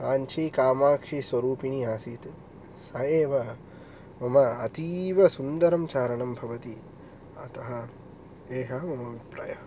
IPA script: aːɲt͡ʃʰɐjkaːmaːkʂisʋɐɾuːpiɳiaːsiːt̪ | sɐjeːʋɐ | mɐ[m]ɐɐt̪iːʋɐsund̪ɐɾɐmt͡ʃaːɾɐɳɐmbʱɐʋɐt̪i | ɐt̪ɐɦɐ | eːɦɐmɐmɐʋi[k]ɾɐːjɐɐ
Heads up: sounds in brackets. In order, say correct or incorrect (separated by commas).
correct, incorrect